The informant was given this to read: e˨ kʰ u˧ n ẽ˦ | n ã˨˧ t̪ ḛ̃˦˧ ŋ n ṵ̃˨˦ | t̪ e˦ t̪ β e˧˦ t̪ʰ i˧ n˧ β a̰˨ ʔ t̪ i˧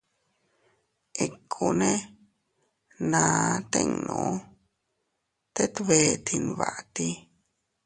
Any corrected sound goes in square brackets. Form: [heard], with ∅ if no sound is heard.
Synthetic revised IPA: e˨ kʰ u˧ n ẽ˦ | n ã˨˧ t̪ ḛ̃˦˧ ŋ n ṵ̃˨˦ | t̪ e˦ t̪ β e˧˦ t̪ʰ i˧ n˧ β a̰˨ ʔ t̪ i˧